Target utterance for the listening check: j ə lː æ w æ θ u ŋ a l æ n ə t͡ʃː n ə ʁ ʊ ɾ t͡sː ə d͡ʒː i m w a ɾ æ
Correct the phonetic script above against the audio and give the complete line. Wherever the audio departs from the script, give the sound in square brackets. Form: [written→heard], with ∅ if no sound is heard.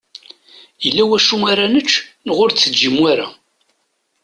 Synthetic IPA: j ə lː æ w æ [θ→ʃ] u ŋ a [l→ɾ] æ n ə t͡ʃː n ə ʁ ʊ ɾ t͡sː ə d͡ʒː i m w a ɾ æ